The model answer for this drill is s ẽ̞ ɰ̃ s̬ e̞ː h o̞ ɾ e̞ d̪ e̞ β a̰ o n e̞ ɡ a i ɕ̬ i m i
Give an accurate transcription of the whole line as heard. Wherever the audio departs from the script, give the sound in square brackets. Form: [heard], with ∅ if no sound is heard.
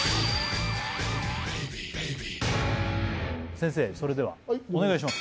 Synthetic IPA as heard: s ẽ̞ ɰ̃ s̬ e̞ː [s] o̞ ɾ e̞ d̪ e̞ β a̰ o n e̞ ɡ a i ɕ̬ i m [a]